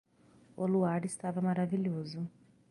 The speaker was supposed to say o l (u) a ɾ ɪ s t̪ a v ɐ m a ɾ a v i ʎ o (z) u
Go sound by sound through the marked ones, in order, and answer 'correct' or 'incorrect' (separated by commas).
correct, correct